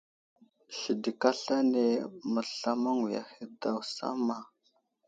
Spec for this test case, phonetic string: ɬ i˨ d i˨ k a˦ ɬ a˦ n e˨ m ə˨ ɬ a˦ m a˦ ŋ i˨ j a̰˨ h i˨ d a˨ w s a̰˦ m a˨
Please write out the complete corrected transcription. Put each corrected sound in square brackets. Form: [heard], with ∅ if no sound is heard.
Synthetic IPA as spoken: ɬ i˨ d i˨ k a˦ ɬ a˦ n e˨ m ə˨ ɬ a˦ m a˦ ŋ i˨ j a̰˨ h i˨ d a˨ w s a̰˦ m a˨